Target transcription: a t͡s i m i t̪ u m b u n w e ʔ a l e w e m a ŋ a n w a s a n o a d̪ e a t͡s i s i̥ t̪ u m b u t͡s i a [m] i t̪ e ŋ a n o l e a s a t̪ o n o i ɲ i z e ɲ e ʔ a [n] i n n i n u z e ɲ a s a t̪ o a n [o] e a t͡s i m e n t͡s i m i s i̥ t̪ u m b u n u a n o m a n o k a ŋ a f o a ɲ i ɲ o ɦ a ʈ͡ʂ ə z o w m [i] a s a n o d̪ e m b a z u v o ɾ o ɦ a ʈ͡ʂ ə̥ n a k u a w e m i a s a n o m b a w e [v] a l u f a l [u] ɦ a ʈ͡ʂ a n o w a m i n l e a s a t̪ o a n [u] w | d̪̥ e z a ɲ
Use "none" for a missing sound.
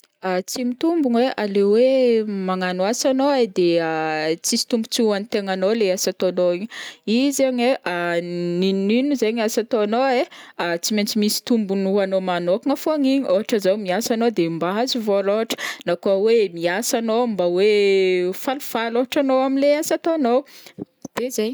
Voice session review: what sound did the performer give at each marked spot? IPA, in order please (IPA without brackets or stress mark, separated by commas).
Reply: n, n, o, i, f, o, o